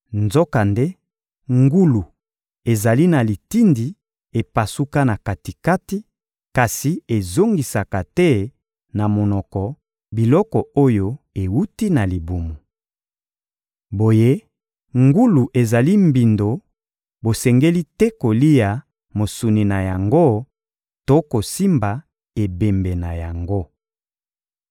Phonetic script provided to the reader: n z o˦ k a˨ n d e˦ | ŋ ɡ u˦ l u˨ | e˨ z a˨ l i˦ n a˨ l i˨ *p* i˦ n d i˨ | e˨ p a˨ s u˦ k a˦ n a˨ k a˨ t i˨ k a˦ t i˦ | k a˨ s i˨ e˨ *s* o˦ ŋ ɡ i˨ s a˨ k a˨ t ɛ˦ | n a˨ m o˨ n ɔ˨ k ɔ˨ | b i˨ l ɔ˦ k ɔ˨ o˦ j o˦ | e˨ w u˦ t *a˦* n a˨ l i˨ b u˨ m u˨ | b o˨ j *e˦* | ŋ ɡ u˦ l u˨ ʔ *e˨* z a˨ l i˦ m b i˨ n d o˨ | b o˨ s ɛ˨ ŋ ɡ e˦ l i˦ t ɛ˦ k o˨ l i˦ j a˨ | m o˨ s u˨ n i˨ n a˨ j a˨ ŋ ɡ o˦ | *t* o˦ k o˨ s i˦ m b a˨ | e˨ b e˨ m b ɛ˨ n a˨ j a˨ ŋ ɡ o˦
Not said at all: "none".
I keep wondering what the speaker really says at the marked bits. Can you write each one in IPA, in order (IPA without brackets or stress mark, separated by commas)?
t, z, i˦, e˦, e˨, t